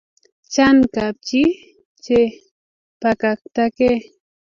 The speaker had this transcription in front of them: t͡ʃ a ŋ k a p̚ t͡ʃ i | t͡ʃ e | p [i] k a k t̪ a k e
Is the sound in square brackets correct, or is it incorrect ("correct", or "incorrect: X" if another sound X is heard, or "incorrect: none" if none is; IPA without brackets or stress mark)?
incorrect: a